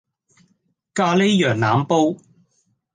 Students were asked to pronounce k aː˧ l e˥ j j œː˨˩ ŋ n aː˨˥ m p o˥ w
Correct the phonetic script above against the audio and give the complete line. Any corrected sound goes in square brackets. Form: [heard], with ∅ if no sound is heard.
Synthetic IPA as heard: k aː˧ l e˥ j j œː˨˩ ŋ n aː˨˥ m p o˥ w